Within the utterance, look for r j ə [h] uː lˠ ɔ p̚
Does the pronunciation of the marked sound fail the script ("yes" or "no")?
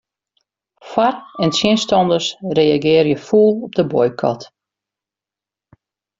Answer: yes